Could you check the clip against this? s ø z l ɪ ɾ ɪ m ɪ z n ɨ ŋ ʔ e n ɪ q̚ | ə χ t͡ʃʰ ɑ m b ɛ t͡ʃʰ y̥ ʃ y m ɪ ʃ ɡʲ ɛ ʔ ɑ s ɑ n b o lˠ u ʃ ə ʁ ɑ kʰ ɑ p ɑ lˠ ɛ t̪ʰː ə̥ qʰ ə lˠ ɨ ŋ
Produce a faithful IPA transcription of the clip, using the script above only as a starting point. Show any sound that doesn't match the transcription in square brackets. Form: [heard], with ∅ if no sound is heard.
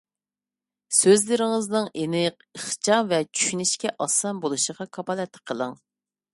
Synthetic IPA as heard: s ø z l ɪ ɾ ɪ [ŋ] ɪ z n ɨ ŋ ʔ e n ɪ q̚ | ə χ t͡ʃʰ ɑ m [v] ɛ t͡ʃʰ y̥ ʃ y [n] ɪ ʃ [kʲ] ɛ ʔ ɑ s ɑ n b o lˠ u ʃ ə ʁ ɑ kʰ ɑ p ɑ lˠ ɛ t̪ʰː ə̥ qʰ ə lˠ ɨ ŋ